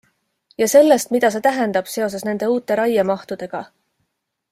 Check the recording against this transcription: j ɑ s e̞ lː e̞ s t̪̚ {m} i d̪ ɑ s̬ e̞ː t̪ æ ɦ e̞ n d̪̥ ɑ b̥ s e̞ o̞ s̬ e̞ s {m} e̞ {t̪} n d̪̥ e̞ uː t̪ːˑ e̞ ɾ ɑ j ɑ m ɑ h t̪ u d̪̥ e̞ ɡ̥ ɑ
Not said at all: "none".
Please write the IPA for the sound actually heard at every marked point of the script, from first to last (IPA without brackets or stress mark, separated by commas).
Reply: m, n, none